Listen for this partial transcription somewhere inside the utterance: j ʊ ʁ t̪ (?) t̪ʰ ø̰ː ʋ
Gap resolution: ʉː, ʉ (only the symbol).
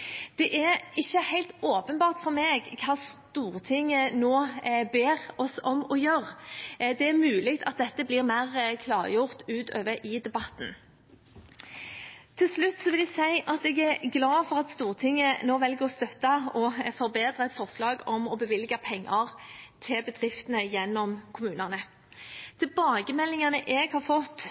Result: ʉː